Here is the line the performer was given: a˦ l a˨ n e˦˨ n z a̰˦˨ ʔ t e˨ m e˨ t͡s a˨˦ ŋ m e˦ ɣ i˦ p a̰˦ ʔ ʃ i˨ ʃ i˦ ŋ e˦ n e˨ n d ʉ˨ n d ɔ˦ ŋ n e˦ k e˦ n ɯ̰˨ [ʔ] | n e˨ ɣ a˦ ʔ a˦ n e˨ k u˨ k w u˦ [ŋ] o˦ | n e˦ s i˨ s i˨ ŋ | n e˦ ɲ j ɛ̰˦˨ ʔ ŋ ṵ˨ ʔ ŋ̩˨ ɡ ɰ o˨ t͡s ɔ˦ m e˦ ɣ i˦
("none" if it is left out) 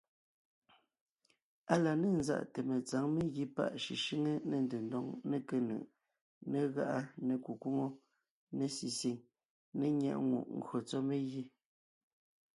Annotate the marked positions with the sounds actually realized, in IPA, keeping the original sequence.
ʔ, ŋ

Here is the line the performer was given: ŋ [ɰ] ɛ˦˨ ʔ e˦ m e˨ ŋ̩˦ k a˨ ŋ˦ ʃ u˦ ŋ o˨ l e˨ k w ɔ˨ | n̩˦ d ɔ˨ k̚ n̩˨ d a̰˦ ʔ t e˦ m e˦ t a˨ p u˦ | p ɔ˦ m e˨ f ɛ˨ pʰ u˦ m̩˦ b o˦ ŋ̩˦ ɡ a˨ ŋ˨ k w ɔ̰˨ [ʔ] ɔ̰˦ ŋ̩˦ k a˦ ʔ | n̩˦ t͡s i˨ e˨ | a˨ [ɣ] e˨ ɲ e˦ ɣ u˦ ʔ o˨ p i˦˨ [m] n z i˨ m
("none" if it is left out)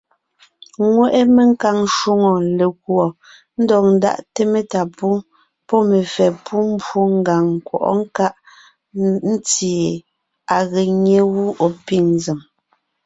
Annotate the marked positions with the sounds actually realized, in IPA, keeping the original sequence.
w, ʔ, ɣ, ŋ

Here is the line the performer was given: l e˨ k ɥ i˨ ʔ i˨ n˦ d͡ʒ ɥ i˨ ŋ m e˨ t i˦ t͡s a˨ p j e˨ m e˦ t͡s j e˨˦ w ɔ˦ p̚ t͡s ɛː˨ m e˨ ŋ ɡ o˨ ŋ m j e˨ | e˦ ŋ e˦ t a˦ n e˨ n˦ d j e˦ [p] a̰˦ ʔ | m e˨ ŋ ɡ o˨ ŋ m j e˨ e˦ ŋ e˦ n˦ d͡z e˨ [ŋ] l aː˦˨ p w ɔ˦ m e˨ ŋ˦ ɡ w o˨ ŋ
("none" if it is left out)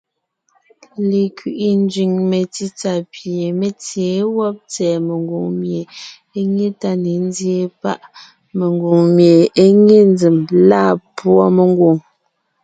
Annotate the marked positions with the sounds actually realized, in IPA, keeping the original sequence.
p, m

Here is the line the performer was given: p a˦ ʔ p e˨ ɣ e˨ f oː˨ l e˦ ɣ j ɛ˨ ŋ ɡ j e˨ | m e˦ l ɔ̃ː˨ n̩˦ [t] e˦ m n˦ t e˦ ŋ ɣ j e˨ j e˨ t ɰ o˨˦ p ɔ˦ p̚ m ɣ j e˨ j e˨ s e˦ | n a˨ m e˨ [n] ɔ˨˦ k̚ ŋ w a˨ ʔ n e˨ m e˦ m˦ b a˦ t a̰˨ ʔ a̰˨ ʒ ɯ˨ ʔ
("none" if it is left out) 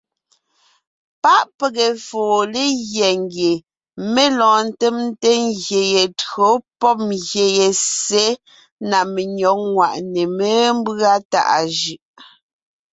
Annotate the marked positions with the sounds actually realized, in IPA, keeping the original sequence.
t, ɲ

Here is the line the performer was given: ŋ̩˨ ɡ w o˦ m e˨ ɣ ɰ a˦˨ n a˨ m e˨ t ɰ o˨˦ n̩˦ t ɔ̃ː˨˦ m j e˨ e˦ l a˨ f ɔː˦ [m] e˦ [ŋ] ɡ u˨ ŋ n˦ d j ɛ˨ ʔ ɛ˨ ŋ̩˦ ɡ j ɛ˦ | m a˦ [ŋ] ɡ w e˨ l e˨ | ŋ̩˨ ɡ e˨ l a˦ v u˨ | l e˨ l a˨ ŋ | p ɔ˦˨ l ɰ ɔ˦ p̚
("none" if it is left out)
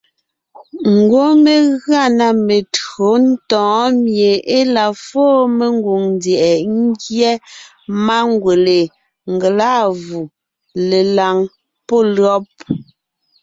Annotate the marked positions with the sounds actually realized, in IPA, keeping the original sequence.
m, ŋ, ŋ

